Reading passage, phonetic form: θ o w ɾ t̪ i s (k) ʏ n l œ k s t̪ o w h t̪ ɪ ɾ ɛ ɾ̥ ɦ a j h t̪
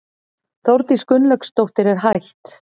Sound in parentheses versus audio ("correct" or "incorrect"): correct